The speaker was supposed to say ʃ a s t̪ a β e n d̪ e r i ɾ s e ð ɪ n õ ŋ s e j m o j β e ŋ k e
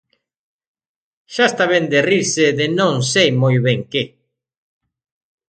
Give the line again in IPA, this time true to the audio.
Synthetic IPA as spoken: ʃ a s t̪ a β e n d̪ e r i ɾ s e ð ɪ n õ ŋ s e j m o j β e ŋ k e